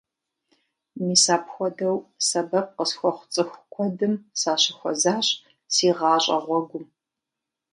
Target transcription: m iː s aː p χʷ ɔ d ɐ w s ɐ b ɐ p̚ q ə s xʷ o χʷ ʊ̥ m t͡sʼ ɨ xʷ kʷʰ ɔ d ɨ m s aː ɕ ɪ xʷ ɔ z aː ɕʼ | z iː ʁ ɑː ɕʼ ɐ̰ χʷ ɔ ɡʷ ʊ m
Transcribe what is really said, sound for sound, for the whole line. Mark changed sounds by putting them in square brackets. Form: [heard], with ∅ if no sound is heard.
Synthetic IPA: m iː s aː p [xʷ] ɔ d ɐ w s ɐ b ɐ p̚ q ə s xʷ [ɔ] χʷ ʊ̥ [∅] t͡sʼ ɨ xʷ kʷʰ ɔ d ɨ m s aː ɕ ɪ xʷ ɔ z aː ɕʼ | [s] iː ʁ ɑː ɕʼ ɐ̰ [ʁʷ] ɔ ɡʷ ʊ m